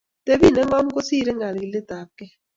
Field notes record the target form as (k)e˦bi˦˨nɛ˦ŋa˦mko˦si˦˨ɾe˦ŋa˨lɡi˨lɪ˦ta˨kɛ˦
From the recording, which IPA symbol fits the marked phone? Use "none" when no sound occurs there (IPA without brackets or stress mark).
t